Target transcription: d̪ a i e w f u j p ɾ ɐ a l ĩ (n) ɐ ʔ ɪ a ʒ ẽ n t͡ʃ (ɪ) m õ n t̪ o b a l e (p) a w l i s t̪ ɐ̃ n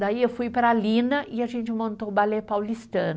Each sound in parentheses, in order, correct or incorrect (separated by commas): correct, correct, correct